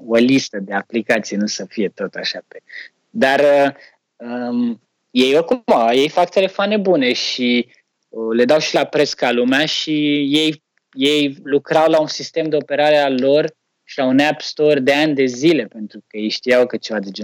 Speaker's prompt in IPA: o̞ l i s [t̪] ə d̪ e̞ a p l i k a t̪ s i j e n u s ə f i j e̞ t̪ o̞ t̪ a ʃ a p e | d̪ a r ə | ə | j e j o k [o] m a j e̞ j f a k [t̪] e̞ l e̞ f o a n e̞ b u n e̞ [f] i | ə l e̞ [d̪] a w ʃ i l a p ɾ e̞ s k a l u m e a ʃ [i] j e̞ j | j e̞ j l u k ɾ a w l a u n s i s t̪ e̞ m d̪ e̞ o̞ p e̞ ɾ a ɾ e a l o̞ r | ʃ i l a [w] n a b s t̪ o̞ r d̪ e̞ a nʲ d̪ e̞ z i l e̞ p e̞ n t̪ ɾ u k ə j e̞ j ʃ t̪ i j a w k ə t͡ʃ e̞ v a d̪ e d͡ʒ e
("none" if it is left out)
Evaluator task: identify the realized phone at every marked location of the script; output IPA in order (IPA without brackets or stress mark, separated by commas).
t̪, u, t̪, ʃ, d̪, i, u